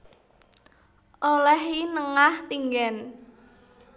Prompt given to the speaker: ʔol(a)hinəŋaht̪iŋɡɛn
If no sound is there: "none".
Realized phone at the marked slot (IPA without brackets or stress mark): ɛ